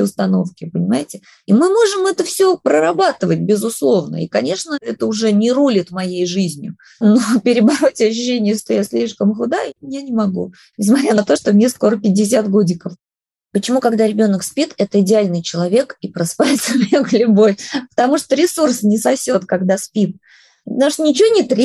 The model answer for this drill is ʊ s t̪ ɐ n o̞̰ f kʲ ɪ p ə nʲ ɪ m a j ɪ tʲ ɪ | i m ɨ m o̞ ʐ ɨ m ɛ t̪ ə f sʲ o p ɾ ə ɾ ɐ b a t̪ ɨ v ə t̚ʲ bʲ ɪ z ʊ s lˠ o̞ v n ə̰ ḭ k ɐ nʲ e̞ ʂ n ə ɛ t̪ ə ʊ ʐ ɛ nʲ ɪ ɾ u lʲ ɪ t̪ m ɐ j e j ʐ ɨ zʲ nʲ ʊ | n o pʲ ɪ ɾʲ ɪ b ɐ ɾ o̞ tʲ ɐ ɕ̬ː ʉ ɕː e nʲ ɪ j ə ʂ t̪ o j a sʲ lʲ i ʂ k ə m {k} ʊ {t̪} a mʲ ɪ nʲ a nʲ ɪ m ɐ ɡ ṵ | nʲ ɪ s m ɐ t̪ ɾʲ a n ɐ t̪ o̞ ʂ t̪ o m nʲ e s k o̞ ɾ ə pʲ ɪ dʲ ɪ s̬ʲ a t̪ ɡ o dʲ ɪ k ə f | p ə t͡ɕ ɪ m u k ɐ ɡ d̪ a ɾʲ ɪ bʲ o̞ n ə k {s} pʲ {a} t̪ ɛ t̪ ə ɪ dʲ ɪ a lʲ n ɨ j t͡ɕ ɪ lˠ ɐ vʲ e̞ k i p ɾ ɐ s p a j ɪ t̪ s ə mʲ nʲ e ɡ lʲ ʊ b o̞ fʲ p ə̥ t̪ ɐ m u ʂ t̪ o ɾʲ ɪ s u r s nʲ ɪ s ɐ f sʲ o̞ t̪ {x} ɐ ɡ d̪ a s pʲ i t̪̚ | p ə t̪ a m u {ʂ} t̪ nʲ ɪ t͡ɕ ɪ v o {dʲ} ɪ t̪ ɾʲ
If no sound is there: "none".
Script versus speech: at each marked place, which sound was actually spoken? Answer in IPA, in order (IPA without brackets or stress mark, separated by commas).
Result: x, d̪, s, i, k, ʂ, nʲ